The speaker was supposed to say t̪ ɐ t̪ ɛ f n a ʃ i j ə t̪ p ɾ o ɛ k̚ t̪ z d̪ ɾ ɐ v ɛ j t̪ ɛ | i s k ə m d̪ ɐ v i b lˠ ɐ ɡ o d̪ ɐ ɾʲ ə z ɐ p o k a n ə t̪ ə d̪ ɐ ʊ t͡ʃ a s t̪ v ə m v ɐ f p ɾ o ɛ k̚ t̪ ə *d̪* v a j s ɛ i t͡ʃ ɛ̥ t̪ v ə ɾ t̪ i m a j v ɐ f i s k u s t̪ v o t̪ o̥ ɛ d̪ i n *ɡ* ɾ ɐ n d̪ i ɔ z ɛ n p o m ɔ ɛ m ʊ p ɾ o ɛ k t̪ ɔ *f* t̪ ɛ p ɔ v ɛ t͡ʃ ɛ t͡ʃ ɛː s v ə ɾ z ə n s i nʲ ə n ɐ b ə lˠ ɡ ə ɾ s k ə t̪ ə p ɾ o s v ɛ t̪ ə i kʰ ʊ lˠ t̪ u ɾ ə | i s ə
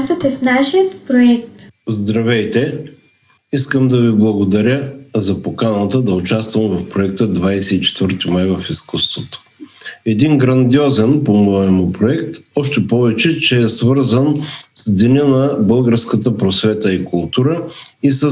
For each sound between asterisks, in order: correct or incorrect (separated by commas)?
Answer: correct, correct, incorrect